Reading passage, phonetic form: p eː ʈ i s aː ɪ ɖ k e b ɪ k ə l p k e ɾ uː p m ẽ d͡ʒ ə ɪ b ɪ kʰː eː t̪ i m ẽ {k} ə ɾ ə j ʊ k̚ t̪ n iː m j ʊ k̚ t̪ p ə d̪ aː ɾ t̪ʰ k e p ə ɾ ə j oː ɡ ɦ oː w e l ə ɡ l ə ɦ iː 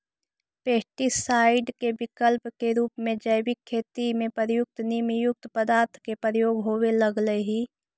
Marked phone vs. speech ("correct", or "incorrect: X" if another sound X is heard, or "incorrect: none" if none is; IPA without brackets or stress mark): incorrect: p